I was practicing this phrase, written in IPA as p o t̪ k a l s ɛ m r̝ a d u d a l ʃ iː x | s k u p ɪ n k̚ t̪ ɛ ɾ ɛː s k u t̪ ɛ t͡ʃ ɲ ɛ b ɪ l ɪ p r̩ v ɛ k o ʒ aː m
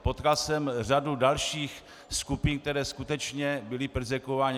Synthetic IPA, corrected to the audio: p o t̪ k a l s ɛ m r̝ a d u d a l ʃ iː x | s k u p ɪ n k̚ t̪ ɛ ɾ ɛː s k u t̪ ɛ t͡ʃ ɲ ɛ b ɪ l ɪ p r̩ z ɛ k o v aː ɲ